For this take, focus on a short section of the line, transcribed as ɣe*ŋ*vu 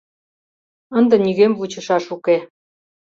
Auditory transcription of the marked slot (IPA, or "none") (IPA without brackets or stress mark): m